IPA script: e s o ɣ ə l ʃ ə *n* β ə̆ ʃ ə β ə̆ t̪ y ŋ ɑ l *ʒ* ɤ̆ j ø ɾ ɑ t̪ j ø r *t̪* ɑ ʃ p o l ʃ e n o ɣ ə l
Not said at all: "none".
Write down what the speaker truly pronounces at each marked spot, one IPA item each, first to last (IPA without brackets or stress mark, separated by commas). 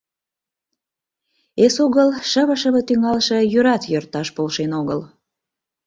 none, ʃ, t̪